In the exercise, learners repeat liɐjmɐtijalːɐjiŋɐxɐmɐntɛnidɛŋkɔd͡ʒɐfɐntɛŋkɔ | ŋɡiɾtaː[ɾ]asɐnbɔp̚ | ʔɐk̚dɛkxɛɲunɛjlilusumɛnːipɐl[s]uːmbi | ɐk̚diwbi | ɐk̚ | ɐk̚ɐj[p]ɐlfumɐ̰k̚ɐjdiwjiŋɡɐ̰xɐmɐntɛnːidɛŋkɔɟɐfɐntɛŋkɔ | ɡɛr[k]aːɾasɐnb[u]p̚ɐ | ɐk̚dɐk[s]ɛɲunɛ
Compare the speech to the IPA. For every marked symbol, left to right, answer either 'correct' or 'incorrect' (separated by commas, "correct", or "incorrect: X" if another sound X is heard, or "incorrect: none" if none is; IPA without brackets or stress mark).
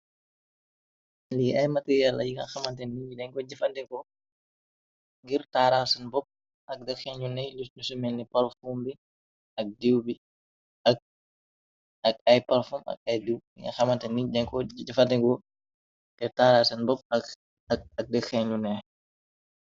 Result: correct, incorrect: f, correct, incorrect: t, incorrect: ɔ, incorrect: x